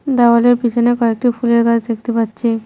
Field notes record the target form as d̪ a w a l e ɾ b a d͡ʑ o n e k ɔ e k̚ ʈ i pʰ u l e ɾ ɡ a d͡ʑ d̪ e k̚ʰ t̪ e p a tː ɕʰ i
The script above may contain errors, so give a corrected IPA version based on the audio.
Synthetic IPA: d̪ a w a l e ɾ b i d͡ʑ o n e k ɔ e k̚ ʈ i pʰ u l e ɾ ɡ a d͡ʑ d̪ e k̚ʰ t̪ e p a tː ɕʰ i